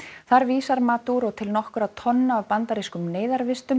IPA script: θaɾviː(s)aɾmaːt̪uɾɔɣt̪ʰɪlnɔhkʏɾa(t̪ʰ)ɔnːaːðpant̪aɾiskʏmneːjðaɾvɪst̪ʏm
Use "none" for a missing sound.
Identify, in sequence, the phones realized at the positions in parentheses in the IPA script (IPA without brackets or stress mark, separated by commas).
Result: s, t̪ʰ